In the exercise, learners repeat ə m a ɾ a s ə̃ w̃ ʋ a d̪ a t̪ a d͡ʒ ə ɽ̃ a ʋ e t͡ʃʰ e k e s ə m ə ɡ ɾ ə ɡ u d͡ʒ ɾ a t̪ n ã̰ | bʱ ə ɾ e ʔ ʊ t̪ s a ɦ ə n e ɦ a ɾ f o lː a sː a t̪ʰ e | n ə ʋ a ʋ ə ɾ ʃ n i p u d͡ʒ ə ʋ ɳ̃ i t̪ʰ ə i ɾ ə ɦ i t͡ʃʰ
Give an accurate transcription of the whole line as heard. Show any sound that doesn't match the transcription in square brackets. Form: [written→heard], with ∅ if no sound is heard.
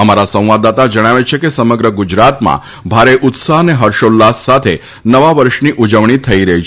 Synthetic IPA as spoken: ə m a ɾ a s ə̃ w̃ ʋ a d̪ a t̪ a d͡ʒ ə ɽ̃ a ʋ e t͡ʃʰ e k e s ə m ə ɡ ɾ ə ɡ u d͡ʒ ɾ a t̪ [n→m] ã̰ | bʱ [ə→a] ɾ e ʔ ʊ t̪ s a ɦ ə n e ɦ [a→ə] ɾ [f→ʃ] o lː a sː a t̪ʰ e | n ə ʋ a ʋ ə ɾ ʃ n i [p→ʔ] u d͡ʒ ə ʋ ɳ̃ i t̪ʰ ə i ɾ ə ɦ i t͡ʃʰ